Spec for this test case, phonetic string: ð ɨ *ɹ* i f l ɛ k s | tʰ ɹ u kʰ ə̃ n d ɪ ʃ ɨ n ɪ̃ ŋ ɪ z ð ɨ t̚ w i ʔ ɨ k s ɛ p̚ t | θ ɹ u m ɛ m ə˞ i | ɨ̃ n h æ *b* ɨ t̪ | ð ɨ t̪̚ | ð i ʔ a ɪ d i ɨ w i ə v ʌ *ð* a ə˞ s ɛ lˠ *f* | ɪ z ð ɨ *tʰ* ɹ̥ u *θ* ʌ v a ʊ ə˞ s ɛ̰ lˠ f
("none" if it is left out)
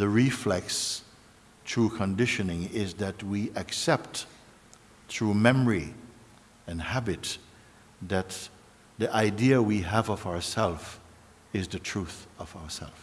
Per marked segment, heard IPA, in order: ɹ, b, v, f, tʰ, θ

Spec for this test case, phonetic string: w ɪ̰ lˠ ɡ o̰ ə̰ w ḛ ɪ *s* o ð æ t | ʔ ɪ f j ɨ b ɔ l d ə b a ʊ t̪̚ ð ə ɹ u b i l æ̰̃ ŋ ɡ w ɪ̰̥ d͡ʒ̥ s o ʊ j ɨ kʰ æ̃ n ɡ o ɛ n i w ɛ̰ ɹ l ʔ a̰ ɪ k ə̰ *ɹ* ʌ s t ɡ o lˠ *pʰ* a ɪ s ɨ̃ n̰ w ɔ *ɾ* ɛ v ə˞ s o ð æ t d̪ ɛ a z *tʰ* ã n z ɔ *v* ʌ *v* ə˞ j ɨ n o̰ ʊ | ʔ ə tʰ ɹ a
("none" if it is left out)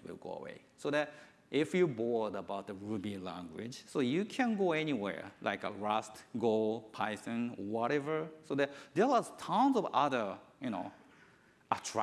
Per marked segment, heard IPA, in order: s, ɹ, pʰ, ɾ, tʰ, v, ð

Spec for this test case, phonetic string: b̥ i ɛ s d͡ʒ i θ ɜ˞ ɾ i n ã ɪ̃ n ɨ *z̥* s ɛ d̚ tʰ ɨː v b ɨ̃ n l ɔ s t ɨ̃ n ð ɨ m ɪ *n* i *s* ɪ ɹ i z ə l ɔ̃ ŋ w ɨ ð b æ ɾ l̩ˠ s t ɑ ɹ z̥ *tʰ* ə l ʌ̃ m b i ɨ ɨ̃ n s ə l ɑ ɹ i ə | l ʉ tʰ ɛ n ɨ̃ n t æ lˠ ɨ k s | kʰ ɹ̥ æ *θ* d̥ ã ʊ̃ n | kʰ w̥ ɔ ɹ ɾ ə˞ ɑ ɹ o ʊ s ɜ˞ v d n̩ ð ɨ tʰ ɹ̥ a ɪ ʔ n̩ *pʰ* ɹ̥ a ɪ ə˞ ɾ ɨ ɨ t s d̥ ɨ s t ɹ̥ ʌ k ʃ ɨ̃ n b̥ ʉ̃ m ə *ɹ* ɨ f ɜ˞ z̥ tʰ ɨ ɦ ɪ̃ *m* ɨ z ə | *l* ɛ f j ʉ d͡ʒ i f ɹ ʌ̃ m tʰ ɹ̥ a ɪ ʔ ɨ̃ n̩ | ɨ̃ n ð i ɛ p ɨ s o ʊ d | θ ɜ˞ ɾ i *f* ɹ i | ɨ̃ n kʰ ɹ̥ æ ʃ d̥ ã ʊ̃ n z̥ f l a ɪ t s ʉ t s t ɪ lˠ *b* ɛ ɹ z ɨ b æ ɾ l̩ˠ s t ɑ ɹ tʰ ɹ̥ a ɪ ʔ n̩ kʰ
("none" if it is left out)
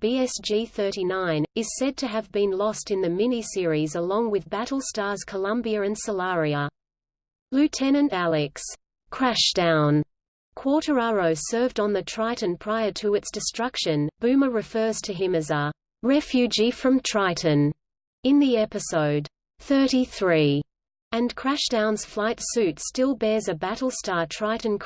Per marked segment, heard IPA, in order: z̥, n, s, kʰ, ʃ, pʰ, ɹ, m, ɹ, θ, b

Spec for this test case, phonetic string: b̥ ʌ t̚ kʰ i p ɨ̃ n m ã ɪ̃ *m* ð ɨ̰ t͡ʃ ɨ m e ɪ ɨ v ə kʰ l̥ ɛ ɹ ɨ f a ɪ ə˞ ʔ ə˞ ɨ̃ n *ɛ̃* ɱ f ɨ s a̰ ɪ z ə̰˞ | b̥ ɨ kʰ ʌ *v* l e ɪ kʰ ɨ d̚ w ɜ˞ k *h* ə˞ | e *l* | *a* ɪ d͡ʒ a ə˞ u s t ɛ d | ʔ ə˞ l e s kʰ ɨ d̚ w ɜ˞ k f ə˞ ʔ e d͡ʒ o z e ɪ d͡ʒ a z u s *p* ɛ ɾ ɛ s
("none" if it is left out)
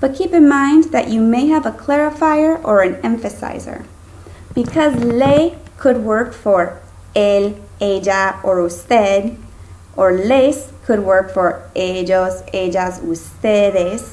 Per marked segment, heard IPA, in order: n, ɛ̃, z, f, l, e, t

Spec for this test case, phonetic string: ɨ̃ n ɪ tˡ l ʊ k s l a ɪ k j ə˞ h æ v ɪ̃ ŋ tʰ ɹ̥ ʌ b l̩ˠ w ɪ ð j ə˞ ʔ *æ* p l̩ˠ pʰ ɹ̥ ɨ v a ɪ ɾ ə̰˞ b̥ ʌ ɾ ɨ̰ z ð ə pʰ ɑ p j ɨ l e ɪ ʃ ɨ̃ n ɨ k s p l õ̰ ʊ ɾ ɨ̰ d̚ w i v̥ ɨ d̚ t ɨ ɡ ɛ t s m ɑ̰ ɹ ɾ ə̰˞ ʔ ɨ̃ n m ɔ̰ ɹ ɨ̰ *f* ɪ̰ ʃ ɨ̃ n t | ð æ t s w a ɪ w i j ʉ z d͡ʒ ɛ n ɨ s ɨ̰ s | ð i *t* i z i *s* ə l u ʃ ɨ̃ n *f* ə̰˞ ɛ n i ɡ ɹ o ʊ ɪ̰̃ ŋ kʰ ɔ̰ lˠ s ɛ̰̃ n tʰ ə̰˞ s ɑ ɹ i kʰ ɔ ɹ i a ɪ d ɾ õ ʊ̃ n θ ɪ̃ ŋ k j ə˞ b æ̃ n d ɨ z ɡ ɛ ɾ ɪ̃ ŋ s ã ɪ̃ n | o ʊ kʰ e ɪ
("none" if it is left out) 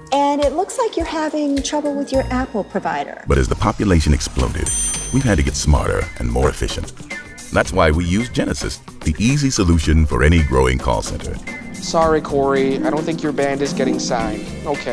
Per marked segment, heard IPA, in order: æ, f, ʔ, s, f

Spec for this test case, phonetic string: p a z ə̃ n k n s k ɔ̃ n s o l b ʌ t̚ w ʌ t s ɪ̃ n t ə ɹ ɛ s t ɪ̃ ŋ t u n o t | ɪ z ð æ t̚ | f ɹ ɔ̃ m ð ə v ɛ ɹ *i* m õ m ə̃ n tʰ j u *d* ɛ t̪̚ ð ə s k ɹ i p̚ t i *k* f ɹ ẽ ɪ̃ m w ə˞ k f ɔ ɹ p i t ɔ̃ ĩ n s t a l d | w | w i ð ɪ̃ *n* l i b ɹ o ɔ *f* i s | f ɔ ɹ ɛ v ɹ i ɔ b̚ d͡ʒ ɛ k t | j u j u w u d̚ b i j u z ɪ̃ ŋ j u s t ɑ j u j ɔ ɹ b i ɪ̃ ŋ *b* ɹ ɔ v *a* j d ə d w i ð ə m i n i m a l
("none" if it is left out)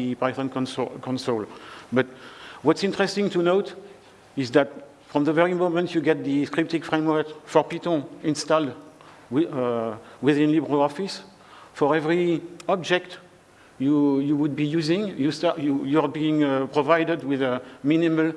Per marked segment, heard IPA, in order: i, ɡ, k, n, f, p, a

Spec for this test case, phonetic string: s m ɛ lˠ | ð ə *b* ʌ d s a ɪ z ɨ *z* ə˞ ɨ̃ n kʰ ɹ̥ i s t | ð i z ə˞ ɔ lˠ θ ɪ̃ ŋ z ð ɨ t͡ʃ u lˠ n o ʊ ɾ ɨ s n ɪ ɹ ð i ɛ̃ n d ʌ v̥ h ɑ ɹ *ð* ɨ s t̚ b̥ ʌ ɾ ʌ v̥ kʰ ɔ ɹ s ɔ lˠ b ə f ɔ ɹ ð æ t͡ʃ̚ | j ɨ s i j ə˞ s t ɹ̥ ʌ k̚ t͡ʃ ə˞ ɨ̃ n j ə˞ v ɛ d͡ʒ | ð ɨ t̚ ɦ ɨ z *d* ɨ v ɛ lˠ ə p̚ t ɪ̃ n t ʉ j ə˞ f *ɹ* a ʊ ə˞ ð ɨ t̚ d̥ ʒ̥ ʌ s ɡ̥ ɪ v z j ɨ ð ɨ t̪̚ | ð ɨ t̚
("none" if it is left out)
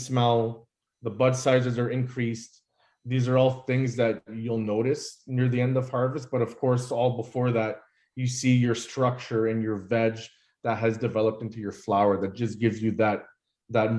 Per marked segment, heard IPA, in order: b, z, v, d, l

